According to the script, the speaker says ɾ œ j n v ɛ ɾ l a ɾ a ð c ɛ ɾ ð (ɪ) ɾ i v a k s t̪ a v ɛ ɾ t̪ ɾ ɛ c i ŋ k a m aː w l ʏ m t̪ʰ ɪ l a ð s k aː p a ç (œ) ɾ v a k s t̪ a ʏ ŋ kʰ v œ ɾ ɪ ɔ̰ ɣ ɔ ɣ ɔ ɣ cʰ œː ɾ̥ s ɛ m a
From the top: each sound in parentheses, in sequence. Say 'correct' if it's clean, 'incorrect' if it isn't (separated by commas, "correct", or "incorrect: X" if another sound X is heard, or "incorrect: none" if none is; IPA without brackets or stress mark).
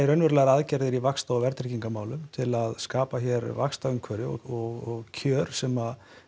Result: correct, incorrect: ɛ